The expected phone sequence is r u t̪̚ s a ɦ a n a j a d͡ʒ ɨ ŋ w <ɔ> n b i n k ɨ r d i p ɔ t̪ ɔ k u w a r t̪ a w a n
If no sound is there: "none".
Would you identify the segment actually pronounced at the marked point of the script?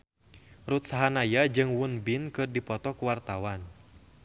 u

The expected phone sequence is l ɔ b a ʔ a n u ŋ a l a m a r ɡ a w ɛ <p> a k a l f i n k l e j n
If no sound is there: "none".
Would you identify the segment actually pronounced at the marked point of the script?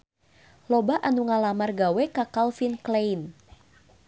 k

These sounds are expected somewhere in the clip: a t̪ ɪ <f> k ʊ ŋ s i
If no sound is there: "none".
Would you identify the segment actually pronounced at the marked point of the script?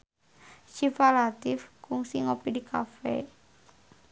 f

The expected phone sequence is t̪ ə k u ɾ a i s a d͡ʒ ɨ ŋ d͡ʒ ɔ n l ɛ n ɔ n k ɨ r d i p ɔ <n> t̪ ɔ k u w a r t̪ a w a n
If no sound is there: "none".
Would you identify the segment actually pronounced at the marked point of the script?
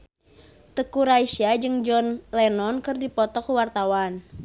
none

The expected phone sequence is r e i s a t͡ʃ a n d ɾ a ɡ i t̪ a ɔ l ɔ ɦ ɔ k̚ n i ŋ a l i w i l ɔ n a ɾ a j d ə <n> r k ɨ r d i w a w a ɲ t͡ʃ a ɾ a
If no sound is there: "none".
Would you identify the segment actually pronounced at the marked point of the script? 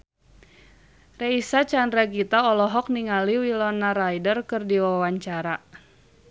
none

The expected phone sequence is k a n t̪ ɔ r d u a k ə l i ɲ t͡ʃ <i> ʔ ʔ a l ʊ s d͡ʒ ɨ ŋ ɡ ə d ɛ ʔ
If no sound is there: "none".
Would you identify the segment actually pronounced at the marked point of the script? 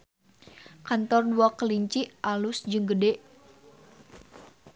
i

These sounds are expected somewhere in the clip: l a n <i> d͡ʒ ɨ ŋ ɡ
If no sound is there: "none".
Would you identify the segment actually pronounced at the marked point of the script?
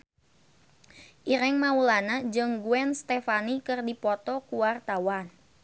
a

